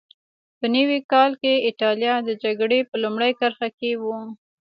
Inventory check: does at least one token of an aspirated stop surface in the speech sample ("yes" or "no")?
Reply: no